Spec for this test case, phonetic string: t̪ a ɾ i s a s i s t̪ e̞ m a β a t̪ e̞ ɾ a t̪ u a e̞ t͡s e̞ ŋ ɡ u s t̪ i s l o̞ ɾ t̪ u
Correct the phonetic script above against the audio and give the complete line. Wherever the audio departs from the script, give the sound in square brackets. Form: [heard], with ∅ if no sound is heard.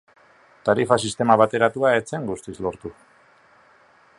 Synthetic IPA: t̪ a ɾ i [f] a s i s t̪ e̞ m a β a t̪ e̞ ɾ a t̪ u a e̞ t͡s e̞ ŋ ɡ u s t̪ i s l o̞ ɾ t̪ u

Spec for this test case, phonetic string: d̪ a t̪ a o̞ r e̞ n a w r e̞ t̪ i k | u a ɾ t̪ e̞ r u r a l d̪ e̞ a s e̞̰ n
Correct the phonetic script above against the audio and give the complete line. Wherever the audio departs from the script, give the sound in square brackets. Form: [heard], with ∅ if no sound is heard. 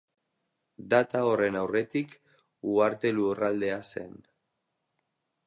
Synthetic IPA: d̪ a t̪ a o̞ r e̞ n a w r e̞ t̪ i k | u a ɾ t̪ e̞ [l] u r a l d̪ e̞ a s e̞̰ n

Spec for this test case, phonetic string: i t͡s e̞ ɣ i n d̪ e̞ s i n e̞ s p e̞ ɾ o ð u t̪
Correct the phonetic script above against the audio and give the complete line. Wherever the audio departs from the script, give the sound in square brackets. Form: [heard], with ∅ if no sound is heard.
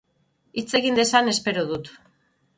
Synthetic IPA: i t͡s e̞ ɣ i n d̪ e̞ s [a] n e̞ s p e̞ ɾ o ð u t̪

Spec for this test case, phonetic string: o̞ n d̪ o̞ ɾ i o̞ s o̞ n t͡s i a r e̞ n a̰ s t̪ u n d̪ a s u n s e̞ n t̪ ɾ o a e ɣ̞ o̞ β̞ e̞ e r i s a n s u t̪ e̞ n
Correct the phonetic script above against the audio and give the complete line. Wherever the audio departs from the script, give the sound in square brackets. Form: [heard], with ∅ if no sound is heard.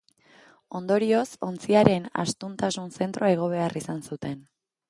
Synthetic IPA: o̞ n d̪ o̞ ɾ i o̞ s o̞ n t͡s i a [ɾ] e̞ n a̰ s t̪ u n [t̪] a s u n s e̞ n t̪ ɾ o a e ɣ̞ o̞ β̞ e̞ [a] r i s a n s u t̪ e̞ n

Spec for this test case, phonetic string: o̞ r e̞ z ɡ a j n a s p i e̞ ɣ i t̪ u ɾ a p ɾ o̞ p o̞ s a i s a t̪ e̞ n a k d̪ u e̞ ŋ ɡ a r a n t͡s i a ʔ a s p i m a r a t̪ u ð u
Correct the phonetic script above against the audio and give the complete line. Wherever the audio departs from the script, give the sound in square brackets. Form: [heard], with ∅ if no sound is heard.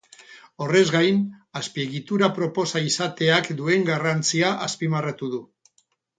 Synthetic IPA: o̞ r e̞ z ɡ a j n a s p i e̞ ɣ i t̪ u ɾ a p ɾ o̞ p o̞ s a i s a t̪ e̞ [∅] a k d̪ u e̞ ŋ ɡ a r a n t͡s i a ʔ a s p i m a r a t̪ u ð u

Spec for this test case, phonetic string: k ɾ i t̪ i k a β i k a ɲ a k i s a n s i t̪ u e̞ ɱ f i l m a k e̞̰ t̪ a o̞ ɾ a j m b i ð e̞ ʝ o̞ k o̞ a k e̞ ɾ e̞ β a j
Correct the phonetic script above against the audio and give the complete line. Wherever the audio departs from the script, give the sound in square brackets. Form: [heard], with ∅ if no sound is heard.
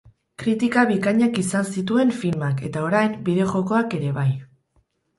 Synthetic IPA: k ɾ i t̪ i k a β i k a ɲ a k i s a n s i t̪ u e̞ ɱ f i l m a k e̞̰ t̪ a o̞ ɾ a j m b i ð e̞ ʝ o̞ k o̞ a k e̞ ɾ e̞ β a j

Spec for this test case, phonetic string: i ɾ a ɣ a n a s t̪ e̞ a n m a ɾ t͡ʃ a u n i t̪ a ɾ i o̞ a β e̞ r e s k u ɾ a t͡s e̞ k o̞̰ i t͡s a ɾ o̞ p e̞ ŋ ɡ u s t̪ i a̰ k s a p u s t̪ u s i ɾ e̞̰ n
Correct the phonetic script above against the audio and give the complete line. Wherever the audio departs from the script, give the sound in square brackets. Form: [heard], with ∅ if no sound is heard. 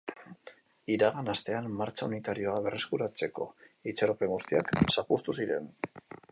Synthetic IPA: i ɾ a ɣ a n a s t̪ e̞ a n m a ɾ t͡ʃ a u n i t̪ a ɾ i o̞ a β e̞ r e s k u ɾ a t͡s e̞ k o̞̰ i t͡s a ɾ o̞ p e̞ ŋ ɡ u s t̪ i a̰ k s a p u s t̪ u s i ɾ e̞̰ n

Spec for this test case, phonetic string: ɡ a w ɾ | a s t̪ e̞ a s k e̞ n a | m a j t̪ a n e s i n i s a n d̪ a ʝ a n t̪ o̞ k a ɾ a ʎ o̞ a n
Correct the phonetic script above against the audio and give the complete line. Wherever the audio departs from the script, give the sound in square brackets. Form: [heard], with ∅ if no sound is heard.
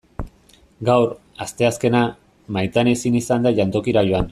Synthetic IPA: ɡ a w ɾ | a s t̪ e̞ a s k e̞ n a | m a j t̪ a n e s i n i s a n d̪ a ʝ a n t̪ o̞ k [i] ɾ a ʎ o̞ a n

